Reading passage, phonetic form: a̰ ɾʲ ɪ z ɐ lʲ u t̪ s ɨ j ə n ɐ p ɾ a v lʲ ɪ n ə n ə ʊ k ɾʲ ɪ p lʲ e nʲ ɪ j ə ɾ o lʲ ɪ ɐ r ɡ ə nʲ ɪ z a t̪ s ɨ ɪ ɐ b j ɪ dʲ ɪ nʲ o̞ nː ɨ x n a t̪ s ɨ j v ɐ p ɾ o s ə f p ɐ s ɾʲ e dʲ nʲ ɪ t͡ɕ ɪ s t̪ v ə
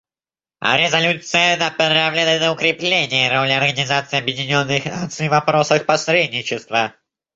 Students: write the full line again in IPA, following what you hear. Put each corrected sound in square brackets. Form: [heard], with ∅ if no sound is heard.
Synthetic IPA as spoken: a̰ ɾʲ ɪ z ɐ lʲ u t̪ s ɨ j ə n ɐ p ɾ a v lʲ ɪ n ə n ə ʊ k ɾʲ ɪ p lʲ e nʲ ɪ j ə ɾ o lʲ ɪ ɐ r ɡ ə nʲ ɪ z a t̪ s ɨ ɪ ɐ b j ɪ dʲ ɪ nʲ o̞ nː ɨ x n a t̪ s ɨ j v ɐ p ɾ o s ə [x] p ɐ s ɾʲ e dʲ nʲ ɪ t͡ɕ ɪ s t̪ v ə

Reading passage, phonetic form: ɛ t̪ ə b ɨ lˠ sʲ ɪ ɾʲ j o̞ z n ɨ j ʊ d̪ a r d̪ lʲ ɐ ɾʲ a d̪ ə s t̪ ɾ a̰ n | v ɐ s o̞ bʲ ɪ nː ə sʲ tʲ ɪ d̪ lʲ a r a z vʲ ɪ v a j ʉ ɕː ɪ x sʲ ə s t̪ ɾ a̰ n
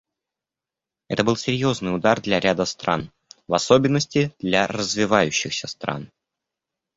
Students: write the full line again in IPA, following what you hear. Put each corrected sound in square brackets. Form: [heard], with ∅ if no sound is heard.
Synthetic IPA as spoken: ɛ t̪ ə b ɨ lˠ sʲ ɪ ɾʲ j o̞ z n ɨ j ʊ d̪ a r d̪ lʲ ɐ ɾʲ a d̪ ə s t̪ ɾ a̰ n | v ɐ s o̞ bʲ ɪ nː ə sʲ tʲ ɪ d̪ lʲ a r [ə] z vʲ ɪ v a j ʉ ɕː ɪ x sʲ ə s t̪ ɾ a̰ n

